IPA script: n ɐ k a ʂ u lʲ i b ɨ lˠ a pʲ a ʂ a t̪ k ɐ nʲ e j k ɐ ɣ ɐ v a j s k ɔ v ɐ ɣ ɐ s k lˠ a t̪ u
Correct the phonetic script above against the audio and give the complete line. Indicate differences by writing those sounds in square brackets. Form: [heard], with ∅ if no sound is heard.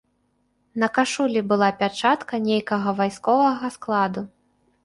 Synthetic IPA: n ɐ k a ʂ u lʲ i b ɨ lˠ a pʲ a [t͡ʂ] a t̪ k ɐ nʲ e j k ɐ ɣ ɐ v a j s k ɔ v ɐ ɣ ɐ s k lˠ a [d̪] u